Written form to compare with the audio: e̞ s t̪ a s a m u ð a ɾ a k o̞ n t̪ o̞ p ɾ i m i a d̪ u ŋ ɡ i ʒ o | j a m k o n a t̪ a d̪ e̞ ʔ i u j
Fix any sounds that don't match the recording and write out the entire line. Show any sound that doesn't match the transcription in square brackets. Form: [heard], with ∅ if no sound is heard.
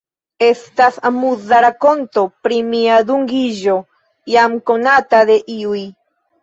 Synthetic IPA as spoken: e̞ s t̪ a s a m u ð a ɾ a k o̞ n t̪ o̞ p ɾ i m i a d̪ u ŋ ɡ i ʒ o | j a m k o n a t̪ a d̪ e̞ ʔ i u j

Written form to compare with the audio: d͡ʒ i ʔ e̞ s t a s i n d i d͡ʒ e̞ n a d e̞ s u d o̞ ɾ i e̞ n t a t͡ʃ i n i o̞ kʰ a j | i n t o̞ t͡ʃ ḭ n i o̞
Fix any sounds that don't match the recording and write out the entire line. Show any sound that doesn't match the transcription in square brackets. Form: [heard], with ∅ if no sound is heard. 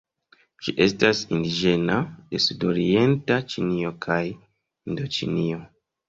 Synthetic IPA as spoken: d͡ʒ i ʔ e̞ s t a s i n d i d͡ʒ e̞ n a d e̞ s u d o̞ ɾ i e̞ n t a t͡ʃ i n i o̞ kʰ a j | i n [d] o̞ t͡ʃ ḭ n i o̞

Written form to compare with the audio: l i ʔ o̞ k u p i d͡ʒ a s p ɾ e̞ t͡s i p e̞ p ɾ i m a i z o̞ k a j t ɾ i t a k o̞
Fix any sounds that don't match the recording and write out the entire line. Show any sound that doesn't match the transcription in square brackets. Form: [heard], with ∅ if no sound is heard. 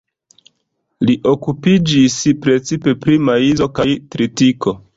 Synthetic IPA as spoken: l i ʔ o̞ k u p i d͡ʒ [i] s p ɾ e̞ t͡s i p e̞ p ɾ i m a i z o̞ k a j t ɾ i t [i] k o̞

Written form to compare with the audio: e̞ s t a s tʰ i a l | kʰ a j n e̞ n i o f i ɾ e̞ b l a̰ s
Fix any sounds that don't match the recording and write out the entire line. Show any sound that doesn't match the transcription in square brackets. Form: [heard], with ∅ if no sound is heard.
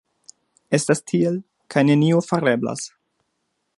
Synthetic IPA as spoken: e̞ s t a s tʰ i [e] l | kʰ a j n e̞ n i o f [a] ɾ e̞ b l a̰ s

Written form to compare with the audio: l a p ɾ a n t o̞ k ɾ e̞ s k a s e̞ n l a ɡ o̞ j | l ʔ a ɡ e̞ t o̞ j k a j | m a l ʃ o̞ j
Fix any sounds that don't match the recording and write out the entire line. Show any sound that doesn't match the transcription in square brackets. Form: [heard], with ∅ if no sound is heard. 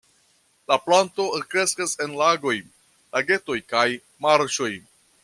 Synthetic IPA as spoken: l a p [l] a n t o̞ k ɾ e̞ s k a s e̞ n l a ɡ o̞ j | l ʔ a ɡ e̞ t o̞ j k a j | m a [ɾ] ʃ o̞ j

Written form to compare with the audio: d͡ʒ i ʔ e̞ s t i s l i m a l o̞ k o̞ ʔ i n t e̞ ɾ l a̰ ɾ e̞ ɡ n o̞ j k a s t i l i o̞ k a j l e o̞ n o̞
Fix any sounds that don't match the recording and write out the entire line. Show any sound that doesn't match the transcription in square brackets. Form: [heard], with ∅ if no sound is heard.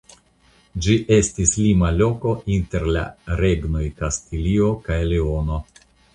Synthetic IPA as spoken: d͡ʒ i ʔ e̞ s t i s l i m a l o̞ k o̞ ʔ i n t e̞ ɾ l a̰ ɾ e̞ ɡ n o̞ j k a s t i l i o̞ k a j l e o̞ n o̞

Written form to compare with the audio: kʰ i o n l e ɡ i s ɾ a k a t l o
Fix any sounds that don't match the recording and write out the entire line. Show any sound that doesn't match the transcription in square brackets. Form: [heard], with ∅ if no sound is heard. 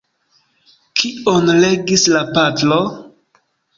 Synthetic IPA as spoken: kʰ i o n l e ɡ i s [l] a [p] a t l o

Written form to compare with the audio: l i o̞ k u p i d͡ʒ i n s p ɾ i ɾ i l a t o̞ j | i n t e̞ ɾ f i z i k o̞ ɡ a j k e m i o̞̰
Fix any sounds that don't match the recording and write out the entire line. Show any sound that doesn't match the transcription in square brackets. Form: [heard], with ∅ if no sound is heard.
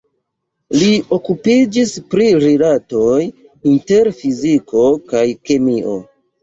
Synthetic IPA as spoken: l i o̞ k u p i d͡ʒ i [∅] s p ɾ i ɾ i l a t o̞ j | i n t e̞ ɾ f i z i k o̞ [k] a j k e m i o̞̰

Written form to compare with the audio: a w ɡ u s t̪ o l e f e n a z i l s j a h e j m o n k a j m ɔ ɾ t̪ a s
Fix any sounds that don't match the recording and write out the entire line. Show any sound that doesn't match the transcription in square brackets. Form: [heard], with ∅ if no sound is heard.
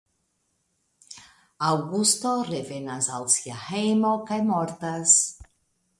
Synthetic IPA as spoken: a w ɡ u s t̪ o [r] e [v] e n a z [a] l s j a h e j m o [∅] k a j m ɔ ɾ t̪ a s

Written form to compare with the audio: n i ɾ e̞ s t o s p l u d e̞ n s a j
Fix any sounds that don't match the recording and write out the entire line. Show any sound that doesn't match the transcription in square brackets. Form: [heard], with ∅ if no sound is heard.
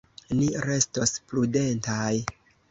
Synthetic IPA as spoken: n i ɾ e̞ s t o s p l u d e̞ n [t] a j

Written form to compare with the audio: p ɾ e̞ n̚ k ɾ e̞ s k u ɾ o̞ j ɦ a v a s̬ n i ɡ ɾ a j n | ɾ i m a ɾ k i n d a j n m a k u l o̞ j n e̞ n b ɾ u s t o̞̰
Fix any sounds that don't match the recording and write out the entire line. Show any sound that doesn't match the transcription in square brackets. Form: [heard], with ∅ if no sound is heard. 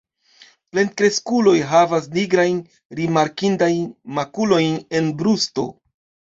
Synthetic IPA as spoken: p [l] e̞ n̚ k ɾ e̞ s k u [l] o̞ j ɦ a v a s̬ n i ɡ ɾ a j n | ɾ i m a ɾ k i n d a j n m a k u l o̞ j n e̞ n b ɾ u s t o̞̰

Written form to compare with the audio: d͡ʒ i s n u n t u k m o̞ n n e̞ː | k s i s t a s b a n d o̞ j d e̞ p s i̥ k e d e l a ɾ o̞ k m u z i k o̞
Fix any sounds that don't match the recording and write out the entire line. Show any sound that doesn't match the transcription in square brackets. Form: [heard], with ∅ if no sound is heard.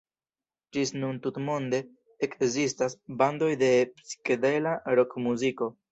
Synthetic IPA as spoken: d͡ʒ i s n u n t u [t] m o̞ n [d] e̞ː | k [z] i s t a s b a n d o̞ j d e̞ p s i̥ k e d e l a ɾ o̞ k m u z i k o̞

